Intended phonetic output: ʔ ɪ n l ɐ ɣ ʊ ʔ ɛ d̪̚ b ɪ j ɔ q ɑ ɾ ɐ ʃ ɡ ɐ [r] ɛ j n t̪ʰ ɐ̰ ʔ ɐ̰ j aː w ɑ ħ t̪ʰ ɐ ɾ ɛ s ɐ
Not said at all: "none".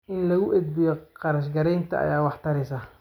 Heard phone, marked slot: ɾ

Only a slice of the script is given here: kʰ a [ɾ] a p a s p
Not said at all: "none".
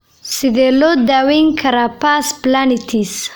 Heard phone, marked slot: ɾ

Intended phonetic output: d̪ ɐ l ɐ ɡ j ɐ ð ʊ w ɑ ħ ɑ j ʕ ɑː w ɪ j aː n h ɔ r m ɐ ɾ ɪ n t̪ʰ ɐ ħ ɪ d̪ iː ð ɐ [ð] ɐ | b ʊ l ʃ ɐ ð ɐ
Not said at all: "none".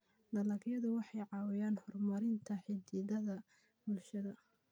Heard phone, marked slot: ð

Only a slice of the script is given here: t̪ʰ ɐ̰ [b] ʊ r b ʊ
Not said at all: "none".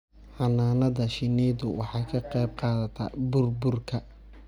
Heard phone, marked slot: b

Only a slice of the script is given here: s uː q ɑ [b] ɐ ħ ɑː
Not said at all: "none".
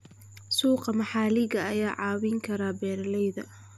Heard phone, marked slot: m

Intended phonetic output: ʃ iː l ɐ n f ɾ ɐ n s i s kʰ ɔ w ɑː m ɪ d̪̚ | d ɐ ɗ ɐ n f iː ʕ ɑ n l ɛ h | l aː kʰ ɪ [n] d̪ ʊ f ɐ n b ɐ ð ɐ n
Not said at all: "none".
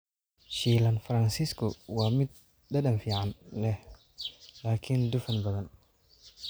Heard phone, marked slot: n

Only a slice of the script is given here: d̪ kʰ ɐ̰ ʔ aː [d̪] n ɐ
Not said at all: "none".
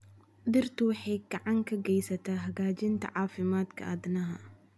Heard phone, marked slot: d̪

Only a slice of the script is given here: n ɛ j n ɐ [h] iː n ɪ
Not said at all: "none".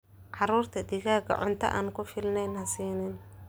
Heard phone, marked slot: s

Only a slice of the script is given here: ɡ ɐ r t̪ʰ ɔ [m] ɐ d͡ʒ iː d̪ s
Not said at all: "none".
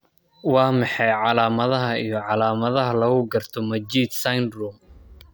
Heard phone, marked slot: m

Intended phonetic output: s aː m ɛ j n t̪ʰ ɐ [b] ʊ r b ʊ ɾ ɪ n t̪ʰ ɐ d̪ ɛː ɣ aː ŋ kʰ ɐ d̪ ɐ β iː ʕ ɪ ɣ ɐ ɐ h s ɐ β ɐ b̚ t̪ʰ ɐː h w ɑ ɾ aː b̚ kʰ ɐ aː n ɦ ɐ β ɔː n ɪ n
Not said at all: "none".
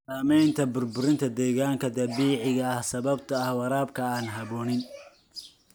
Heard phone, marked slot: b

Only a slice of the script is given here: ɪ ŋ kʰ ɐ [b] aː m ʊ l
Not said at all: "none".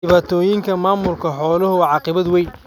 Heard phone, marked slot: m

